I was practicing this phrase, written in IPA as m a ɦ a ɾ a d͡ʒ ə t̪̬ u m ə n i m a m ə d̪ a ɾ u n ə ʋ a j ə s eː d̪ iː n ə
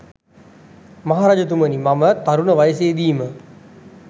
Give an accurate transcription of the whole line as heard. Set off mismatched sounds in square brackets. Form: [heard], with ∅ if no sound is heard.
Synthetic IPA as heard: m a ɦ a ɾ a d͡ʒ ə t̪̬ u m ə n i m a m ə [t̪] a ɾ u n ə ʋ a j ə s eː d̪ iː [m] ə